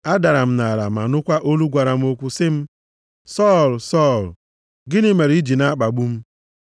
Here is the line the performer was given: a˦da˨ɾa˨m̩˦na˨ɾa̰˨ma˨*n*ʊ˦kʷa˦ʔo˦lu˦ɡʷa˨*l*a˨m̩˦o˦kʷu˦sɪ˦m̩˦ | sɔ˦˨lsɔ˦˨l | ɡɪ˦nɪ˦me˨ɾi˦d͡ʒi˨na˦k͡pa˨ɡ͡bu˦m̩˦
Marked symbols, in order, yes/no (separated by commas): yes, no